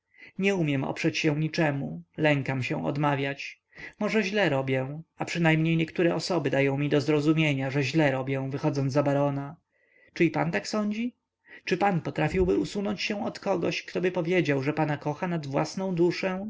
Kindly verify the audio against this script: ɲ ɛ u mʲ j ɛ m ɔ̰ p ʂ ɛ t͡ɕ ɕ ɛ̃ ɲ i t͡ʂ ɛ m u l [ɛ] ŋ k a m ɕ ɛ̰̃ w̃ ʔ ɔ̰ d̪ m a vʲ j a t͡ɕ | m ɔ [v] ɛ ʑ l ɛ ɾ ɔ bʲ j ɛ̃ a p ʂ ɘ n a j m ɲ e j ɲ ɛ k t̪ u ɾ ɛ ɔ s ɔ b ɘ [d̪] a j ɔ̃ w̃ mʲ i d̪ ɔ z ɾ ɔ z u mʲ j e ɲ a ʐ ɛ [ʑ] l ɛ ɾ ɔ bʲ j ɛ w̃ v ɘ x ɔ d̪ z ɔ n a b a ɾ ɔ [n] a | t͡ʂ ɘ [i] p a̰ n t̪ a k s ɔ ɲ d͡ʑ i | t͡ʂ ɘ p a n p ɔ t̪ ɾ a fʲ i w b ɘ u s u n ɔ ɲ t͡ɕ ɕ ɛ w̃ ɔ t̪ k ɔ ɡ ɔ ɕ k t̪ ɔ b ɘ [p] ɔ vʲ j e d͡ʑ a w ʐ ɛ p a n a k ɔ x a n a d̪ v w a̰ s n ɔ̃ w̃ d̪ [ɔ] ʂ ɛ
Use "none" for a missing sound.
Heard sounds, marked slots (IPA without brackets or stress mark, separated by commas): ɛ, ʐ, d̪, ʑ, n, i, p, u